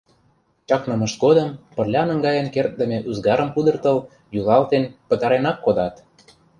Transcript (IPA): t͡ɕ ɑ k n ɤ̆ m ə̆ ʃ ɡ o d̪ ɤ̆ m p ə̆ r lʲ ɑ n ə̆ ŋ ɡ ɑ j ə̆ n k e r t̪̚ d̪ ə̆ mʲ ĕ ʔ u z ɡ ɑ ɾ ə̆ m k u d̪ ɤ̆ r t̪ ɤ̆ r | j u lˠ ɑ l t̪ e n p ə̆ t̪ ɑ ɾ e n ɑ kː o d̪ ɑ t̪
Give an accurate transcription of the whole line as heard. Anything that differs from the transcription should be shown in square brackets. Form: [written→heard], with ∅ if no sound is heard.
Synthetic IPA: t͡ɕ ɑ k n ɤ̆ m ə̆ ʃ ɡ o d̪ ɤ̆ m p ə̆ r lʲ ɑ n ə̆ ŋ ɡ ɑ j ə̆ n k e r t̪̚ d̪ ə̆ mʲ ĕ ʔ u z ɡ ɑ ɾ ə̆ m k u d̪ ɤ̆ r t̪ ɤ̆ [r→l] | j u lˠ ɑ l t̪ e n p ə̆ t̪ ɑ ɾ e n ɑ kː o d̪ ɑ t̪